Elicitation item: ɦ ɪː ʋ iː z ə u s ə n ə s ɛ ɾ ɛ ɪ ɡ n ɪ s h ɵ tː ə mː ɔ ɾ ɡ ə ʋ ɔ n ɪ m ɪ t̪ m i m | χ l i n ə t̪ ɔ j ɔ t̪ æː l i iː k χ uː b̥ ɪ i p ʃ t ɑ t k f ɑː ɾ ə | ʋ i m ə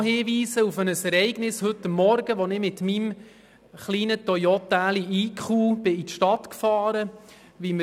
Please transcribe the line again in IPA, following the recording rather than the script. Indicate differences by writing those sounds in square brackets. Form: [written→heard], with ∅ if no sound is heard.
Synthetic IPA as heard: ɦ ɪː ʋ iː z ə u [s→f] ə n ə s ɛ ɾ ɛ ɪ ɡ n ɪ s h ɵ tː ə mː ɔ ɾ ɡ ə ʋ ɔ n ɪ m ɪ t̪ m i m | χ l [i→iː] n ə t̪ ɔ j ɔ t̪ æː l i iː k χ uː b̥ ɪ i [p→t] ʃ t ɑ t k f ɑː ɾ ə | ʋ i m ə